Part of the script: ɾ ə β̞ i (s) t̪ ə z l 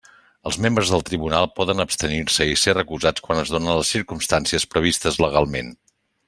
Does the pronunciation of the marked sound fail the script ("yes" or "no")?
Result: no